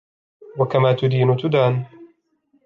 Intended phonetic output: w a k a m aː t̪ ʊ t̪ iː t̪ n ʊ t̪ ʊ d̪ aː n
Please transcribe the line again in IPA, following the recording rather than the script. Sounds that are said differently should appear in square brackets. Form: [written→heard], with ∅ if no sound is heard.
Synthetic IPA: w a k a m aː t̪ ʊ [t̪→d̪] iː [t̪→∅] n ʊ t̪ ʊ d̪ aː n